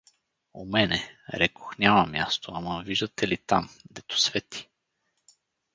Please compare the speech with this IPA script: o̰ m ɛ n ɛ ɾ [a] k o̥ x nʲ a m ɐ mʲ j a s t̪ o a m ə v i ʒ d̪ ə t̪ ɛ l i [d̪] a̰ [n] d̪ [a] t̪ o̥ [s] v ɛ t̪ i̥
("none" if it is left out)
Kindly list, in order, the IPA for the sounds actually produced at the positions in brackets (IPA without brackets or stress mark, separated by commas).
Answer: ɛ, t̪, m, ɛ, s